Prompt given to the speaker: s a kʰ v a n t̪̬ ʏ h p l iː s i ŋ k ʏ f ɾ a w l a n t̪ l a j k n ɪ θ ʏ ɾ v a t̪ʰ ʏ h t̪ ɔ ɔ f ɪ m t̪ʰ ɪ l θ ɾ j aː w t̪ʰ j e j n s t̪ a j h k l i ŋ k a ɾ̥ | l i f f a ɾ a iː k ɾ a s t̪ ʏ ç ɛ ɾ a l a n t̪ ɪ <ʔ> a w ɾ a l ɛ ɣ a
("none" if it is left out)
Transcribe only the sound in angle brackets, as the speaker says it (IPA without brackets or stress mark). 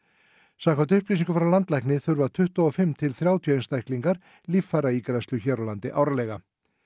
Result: ʔ